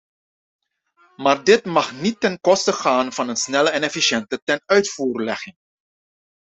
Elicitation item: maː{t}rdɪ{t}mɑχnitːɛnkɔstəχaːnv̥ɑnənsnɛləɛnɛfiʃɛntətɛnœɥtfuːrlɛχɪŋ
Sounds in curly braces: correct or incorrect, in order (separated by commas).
incorrect, correct